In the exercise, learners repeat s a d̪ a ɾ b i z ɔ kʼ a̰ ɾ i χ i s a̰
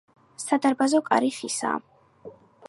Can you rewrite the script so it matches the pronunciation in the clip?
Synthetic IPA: s a d̪ a ɾ b a z ɔ kʼ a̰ ɾ i χ i s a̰